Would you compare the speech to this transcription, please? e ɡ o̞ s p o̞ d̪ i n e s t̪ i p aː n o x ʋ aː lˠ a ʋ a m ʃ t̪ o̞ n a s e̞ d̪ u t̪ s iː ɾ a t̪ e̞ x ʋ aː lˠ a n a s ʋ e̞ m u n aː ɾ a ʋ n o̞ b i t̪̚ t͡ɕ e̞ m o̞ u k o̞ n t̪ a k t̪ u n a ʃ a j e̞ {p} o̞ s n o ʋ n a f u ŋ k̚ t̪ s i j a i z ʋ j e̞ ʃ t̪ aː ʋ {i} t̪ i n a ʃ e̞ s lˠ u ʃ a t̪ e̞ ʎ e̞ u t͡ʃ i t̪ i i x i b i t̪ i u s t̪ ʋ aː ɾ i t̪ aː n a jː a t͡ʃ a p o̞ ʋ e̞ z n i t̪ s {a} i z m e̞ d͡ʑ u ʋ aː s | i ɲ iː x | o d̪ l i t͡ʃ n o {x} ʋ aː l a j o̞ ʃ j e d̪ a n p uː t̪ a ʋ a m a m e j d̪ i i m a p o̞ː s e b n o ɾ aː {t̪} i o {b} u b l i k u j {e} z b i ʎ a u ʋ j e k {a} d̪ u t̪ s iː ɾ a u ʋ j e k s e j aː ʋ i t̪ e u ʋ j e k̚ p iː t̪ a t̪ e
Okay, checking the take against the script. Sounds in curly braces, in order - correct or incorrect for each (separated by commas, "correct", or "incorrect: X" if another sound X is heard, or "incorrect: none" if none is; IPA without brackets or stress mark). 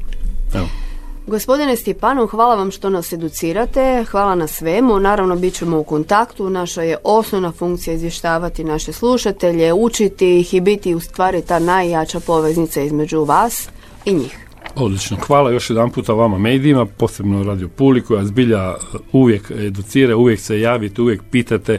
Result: incorrect: ʔ, incorrect: a, correct, correct, incorrect: d̪, incorrect: p, incorrect: a, incorrect: e